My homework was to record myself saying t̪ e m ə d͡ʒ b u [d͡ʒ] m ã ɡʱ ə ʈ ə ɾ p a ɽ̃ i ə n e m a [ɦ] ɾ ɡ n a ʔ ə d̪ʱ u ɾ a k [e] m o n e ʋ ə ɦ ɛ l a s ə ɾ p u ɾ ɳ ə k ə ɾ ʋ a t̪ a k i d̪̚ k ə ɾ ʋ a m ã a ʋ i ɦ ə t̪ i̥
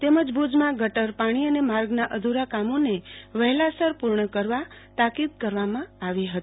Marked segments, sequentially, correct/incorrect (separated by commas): correct, incorrect, incorrect